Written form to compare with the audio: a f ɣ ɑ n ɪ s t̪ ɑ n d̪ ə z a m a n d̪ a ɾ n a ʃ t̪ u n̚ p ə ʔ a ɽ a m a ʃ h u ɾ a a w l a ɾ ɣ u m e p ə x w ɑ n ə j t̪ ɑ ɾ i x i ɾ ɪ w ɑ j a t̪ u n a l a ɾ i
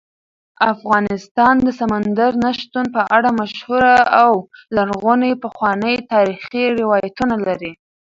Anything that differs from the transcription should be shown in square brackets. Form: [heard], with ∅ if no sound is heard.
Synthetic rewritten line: a f ɣ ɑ n ɪ s t̪ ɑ n d̪ ə [s] a m a n d̪ a ɾ n a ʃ t̪ u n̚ p ə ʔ a ɽ a m a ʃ h u ɾ a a w l a ɾ ɣ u [n] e p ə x w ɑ n ə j t̪ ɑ ɾ i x i ɾ ɪ w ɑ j a t̪ u n a l a ɾ i